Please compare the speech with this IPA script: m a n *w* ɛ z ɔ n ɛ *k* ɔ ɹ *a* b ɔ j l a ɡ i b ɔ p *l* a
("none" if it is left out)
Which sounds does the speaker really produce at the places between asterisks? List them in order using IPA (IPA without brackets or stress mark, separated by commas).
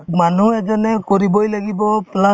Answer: u, k, i, l